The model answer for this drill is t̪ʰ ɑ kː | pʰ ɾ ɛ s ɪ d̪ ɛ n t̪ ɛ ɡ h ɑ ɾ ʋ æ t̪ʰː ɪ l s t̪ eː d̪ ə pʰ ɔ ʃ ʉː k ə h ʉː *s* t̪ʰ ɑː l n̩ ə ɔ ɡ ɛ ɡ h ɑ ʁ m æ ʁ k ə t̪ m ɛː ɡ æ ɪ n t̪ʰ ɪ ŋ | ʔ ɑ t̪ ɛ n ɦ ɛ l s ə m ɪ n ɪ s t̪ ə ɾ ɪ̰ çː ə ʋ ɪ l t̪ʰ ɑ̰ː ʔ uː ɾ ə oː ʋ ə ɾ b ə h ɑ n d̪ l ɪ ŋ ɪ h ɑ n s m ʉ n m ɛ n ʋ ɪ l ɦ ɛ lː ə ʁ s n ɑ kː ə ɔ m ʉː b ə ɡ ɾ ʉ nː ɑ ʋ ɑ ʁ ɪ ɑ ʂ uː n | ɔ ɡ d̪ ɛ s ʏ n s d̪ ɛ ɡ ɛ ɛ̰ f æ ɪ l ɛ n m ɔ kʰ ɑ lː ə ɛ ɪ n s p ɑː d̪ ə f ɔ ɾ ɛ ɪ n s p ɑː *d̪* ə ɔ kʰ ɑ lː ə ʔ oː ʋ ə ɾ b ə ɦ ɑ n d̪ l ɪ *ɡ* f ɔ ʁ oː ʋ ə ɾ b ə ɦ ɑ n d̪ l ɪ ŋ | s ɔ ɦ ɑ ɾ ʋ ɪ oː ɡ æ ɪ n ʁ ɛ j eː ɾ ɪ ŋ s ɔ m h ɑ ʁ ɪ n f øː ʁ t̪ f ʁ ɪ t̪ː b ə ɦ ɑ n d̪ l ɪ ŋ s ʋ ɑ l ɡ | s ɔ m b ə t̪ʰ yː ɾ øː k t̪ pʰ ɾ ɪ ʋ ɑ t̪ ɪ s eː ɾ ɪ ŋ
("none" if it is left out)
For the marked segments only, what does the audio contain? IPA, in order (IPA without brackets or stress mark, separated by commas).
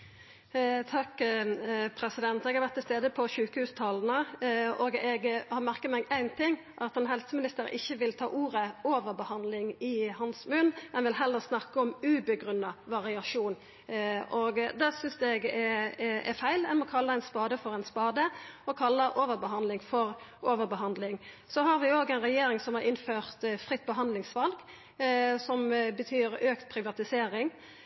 s, d̪, ŋ